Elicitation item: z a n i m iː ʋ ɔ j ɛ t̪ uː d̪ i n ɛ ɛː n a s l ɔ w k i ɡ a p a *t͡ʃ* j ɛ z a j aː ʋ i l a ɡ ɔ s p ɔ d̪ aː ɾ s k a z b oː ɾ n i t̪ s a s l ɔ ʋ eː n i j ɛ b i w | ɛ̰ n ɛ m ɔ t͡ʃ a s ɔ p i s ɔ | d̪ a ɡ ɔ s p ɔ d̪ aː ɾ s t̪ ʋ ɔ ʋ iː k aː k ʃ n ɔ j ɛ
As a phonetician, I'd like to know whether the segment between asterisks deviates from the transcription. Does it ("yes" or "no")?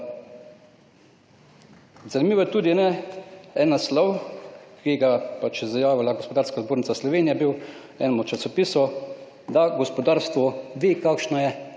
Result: no